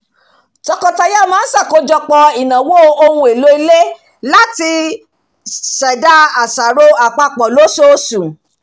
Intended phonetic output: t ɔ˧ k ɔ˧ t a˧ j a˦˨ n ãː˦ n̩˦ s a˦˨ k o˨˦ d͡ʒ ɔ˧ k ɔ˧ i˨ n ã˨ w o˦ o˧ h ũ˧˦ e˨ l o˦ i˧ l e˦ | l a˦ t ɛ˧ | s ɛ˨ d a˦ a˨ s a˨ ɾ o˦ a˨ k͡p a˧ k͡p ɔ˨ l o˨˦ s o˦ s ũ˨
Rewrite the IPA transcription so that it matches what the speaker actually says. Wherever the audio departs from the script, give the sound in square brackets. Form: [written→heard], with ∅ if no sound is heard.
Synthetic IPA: t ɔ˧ k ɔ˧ t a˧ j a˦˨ [n→m] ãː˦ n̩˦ s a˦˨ k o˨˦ d͡ʒ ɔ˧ [k→k͡p] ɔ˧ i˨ n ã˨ w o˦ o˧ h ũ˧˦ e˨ l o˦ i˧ l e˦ | l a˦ t [ɛ˧→i˧] | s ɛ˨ d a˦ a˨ s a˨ ɾ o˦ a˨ k͡p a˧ k͡p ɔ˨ l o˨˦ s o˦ s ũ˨